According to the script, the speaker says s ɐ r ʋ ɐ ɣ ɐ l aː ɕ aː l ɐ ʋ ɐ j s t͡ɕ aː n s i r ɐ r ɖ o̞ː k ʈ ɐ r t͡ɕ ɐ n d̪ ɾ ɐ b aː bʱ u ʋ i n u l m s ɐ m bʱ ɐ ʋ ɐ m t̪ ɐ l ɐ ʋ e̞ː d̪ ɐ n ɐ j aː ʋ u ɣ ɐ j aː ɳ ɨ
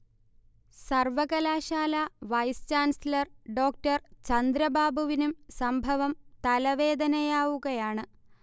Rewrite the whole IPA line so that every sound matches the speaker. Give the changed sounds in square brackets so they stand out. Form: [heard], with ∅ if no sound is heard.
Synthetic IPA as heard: s ɐ r ʋ ɐ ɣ ɐ l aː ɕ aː l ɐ ʋ ɐ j s t͡ɕ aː n s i [l] ɐ r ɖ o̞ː k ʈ ɐ r t͡ɕ ɐ n d̪ ɾ ɐ b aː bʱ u ʋ i n u [∅] m s ɐ m bʱ ɐ ʋ ɐ m t̪ ɐ l ɐ ʋ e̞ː d̪ ɐ n ɐ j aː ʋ u ɣ ɐ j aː ɳ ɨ